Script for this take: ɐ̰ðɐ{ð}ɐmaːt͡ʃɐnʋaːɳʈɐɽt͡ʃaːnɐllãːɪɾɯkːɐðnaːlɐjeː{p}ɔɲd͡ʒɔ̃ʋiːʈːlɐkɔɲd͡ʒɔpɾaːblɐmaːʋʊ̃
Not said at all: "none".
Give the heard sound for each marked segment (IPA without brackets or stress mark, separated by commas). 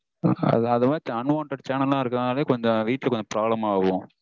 ð, k